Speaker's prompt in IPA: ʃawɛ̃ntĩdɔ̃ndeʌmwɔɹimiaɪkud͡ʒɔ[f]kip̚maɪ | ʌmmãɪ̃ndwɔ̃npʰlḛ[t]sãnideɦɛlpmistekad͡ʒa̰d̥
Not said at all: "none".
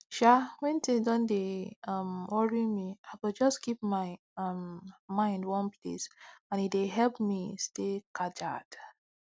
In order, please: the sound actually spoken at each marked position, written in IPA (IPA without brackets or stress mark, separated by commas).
s, none